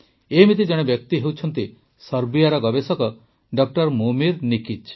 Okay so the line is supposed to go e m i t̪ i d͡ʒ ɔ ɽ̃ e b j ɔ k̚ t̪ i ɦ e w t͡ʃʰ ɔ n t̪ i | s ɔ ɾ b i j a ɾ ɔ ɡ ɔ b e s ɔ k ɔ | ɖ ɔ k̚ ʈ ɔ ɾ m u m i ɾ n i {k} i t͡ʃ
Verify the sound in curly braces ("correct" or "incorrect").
correct